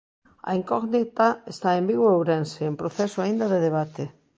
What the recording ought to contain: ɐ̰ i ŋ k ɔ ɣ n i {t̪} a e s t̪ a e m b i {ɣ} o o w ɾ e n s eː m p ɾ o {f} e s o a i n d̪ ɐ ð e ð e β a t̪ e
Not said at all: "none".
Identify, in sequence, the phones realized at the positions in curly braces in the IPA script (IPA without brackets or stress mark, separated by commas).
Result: t̪, ɣ, θ